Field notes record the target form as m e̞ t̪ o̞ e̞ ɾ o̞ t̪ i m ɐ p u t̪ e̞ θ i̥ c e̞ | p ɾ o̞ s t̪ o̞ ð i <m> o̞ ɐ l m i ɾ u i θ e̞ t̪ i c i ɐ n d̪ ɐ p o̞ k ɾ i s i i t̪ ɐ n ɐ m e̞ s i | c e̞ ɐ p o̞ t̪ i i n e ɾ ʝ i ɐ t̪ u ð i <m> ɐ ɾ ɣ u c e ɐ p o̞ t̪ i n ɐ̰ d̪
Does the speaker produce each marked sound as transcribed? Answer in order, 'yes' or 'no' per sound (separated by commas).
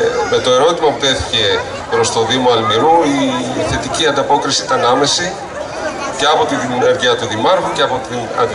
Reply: yes, yes